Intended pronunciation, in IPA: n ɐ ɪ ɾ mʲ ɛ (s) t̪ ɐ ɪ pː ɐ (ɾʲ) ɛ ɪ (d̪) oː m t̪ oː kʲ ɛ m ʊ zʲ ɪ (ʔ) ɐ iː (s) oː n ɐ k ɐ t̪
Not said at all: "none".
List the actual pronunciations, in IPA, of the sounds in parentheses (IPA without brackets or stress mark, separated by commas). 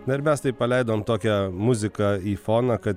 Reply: s, lʲ, d̪, k, f